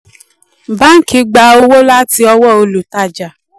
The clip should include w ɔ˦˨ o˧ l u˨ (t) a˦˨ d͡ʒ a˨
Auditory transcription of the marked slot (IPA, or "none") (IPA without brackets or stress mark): t